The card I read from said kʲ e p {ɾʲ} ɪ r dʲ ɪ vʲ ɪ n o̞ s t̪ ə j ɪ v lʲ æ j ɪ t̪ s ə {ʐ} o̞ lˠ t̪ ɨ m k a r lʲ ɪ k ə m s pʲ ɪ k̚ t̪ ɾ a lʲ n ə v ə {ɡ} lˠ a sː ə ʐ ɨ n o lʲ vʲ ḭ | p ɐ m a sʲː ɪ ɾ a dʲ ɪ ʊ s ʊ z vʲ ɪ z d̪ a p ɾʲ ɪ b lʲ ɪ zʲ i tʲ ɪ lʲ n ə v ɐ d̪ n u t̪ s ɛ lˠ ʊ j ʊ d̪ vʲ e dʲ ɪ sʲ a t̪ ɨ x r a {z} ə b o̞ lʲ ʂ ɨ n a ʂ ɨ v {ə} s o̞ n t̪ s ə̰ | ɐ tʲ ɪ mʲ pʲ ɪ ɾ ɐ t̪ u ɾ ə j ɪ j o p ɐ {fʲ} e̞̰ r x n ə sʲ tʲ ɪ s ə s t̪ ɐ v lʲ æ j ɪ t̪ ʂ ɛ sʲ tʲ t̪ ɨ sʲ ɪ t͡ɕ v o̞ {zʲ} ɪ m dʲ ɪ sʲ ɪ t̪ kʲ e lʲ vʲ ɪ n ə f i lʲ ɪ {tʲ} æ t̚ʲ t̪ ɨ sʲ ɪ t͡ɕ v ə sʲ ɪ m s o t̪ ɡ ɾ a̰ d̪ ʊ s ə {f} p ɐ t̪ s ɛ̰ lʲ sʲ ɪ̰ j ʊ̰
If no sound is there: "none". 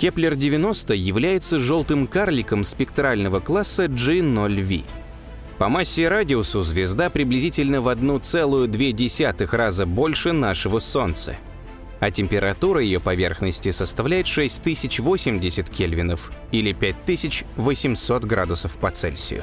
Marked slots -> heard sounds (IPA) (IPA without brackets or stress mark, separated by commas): lʲ, ʐ, k, z, ə, vʲ, sʲ, pʲ, f